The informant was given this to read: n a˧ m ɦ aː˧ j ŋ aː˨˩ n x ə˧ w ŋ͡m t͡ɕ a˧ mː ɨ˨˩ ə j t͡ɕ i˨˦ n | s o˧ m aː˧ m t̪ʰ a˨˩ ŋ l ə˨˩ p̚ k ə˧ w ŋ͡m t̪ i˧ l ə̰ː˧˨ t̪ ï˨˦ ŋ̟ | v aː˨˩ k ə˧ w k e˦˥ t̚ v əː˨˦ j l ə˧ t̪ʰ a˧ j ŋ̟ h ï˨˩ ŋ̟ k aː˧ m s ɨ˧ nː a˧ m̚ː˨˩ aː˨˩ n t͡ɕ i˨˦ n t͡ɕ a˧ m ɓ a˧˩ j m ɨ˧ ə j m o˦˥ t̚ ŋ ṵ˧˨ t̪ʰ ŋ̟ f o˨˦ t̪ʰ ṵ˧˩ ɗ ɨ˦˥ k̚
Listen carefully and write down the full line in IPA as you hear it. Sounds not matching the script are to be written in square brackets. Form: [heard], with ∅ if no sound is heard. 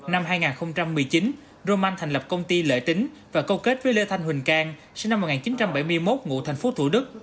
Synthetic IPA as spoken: n a˧ m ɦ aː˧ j ŋ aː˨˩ n x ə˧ w ŋ͡m t͡ɕ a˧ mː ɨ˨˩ ə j t͡ɕ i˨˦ n | [z] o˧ m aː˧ [n] t̪ʰ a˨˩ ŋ l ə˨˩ p̚ k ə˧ w ŋ͡m t̪ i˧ l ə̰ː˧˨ t̪ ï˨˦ ŋ̟ | v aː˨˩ k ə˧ w k e˦˥ t̚ v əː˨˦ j l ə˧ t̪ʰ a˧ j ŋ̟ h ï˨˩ ŋ̟ k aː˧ [ŋ] s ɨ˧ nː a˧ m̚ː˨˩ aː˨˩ n t͡ɕ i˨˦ n t͡ɕ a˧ m ɓ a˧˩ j m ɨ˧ ə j m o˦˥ t̚ ŋ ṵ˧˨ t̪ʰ ŋ̟ f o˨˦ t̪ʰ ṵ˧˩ ɗ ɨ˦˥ k̚